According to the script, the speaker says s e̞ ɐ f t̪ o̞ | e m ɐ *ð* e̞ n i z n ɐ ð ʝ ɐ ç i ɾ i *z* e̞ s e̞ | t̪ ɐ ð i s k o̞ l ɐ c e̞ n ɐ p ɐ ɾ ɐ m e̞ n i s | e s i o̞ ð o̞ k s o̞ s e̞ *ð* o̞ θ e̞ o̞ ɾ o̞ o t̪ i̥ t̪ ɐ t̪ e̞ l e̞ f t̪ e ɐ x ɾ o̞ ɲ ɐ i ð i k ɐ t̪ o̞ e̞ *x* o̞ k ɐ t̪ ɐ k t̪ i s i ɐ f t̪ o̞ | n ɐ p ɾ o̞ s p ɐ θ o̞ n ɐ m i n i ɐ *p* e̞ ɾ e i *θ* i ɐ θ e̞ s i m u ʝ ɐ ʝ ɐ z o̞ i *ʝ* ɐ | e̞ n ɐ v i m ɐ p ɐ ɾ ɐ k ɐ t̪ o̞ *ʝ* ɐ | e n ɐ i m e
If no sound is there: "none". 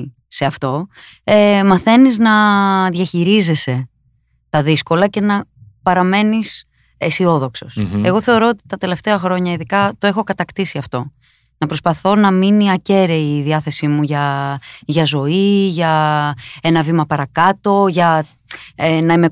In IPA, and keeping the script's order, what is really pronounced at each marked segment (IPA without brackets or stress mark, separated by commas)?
θ, z, ɣ, x, c, ð, ʝ, ʝ